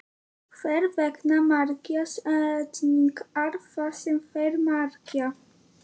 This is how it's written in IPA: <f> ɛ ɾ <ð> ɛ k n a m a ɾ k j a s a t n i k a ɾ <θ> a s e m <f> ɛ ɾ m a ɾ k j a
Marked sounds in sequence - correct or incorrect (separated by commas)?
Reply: correct, incorrect, incorrect, correct